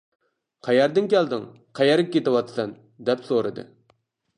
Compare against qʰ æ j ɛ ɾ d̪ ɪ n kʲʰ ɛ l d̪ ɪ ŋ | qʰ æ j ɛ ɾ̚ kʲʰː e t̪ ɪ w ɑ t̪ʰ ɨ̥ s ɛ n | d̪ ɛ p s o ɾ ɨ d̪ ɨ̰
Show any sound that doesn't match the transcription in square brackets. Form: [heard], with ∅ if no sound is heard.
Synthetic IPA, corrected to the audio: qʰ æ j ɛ ɾ d̪ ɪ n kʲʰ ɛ l d̪ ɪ ŋ | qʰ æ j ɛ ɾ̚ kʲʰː e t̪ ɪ w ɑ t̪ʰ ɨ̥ s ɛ n | d̪ ɛ p s o ɾ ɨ d̪ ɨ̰